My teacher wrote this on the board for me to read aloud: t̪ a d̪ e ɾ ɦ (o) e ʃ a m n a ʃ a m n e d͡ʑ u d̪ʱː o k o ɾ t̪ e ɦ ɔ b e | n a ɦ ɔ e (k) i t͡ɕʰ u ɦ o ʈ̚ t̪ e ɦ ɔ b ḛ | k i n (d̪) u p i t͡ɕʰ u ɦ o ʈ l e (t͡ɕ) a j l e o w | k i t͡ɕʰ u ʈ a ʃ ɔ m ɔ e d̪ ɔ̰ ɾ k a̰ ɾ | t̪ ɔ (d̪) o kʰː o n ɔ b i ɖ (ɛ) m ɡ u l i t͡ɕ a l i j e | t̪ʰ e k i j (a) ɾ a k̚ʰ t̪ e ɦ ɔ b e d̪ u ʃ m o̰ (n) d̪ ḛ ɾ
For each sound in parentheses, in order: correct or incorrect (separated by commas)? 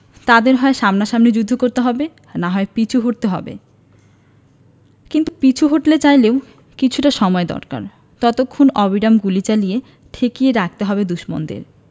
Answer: incorrect, incorrect, incorrect, correct, incorrect, incorrect, incorrect, correct